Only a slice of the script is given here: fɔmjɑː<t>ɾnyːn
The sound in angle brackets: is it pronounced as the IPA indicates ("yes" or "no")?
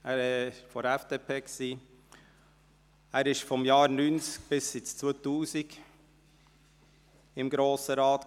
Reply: no